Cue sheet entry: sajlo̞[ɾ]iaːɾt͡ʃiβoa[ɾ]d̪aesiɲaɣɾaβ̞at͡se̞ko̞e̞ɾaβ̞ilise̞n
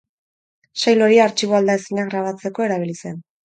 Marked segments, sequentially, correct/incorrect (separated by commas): correct, incorrect